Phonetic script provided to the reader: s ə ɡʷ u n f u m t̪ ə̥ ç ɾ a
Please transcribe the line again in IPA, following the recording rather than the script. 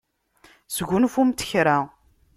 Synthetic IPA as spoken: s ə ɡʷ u n f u m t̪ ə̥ ç ɾ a